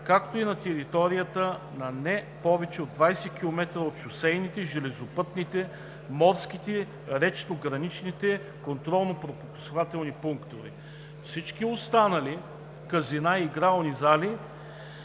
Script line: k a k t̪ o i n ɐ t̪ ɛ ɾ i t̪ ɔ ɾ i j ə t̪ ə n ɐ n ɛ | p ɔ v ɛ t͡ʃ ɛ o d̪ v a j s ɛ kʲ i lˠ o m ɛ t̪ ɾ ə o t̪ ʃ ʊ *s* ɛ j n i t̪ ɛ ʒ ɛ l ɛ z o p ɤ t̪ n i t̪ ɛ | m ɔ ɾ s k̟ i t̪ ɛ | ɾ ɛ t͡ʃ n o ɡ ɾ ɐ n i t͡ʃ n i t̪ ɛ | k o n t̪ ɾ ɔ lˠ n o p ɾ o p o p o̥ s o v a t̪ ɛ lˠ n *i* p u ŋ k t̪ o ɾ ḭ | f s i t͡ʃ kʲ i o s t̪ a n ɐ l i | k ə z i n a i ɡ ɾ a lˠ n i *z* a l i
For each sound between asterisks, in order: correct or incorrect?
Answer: correct, correct, correct

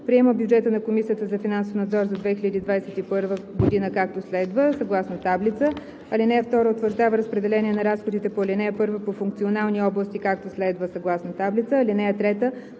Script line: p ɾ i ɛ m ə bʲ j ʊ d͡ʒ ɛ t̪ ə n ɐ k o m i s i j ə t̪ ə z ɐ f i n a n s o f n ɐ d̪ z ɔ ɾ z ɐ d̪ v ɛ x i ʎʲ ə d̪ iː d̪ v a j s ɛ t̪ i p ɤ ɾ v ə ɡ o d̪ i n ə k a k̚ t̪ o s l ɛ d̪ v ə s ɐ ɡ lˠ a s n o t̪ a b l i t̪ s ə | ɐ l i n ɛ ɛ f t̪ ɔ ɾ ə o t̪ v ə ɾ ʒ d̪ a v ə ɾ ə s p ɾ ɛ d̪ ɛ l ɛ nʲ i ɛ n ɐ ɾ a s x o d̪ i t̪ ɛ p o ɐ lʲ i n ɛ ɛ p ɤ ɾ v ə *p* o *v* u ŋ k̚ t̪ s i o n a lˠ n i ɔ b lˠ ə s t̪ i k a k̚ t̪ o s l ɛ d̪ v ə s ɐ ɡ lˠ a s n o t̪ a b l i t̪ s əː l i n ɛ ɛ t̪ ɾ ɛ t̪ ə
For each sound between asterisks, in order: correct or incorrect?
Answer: correct, incorrect: f

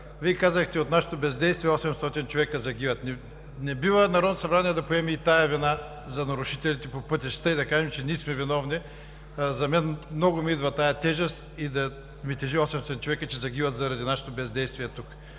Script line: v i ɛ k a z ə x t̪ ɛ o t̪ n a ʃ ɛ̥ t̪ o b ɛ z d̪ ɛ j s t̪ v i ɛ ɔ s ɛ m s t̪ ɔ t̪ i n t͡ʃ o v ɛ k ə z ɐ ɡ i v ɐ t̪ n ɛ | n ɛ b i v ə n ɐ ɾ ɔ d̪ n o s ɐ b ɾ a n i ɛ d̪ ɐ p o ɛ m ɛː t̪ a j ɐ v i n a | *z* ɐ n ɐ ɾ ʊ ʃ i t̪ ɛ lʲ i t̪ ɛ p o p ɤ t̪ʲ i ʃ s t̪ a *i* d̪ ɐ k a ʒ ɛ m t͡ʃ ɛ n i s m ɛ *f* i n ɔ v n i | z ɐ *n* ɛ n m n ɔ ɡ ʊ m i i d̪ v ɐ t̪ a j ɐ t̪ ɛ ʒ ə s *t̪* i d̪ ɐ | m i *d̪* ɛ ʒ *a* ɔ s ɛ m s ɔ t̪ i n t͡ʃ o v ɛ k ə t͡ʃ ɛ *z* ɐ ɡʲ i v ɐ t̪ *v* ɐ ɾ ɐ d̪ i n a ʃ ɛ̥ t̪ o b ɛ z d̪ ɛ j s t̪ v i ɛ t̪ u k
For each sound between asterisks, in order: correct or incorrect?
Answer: correct, correct, incorrect: v, incorrect: m, correct, incorrect: t̪, incorrect: i, correct, incorrect: z

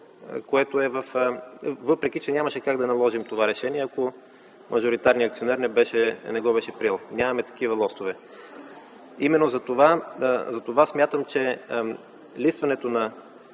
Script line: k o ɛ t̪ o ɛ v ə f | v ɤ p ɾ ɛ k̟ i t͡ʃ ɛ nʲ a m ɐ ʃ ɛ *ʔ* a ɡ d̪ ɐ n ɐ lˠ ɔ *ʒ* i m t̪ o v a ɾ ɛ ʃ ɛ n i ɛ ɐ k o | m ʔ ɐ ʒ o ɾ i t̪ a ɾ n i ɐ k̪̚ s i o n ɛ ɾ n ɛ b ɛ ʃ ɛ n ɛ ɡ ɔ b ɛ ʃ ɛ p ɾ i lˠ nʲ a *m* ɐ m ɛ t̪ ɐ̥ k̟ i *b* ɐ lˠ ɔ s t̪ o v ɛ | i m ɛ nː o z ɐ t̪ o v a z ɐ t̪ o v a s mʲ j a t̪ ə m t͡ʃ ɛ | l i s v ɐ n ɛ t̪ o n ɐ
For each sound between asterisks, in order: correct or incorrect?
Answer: incorrect: k, correct, correct, incorrect: v

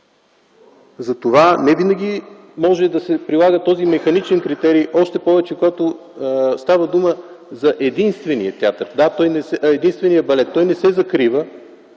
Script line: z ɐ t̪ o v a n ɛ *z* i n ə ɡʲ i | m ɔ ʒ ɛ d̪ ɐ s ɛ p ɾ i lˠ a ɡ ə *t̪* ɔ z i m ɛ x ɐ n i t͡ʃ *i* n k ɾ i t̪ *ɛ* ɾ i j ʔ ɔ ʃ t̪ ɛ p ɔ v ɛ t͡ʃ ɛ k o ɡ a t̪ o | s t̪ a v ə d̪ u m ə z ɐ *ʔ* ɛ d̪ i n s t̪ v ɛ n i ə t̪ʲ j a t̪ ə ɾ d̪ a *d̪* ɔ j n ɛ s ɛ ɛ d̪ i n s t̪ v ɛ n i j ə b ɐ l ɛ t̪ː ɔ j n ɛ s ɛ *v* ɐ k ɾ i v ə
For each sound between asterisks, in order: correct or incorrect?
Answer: incorrect: v, correct, incorrect: ɛ, correct, correct, incorrect: t̪, incorrect: z

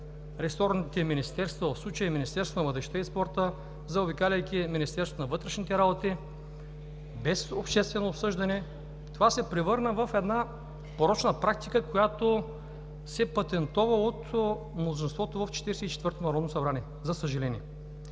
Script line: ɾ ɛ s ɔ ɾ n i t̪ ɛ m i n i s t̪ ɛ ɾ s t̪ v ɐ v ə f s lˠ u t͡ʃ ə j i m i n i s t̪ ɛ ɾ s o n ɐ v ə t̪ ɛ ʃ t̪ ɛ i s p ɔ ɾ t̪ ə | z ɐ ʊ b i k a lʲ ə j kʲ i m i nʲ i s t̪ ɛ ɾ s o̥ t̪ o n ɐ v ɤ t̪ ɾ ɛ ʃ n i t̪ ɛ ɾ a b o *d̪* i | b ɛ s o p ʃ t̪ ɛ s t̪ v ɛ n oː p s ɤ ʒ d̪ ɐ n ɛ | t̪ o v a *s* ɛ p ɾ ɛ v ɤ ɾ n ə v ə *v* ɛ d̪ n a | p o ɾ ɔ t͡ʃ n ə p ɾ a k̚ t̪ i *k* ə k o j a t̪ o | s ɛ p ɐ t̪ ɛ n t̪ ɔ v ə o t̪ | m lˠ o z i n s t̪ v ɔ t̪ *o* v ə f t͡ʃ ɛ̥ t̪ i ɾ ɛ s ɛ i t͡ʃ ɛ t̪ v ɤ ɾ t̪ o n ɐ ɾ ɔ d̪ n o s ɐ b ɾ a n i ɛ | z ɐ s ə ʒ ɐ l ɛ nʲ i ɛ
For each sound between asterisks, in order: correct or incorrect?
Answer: incorrect: t̪, correct, incorrect: f, correct, correct

